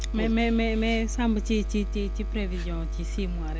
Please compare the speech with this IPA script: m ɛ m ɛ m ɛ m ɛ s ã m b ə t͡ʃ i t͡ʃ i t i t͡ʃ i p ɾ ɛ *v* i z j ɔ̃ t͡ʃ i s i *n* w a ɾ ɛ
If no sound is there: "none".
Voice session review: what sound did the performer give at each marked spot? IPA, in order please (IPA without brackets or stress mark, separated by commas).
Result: v, m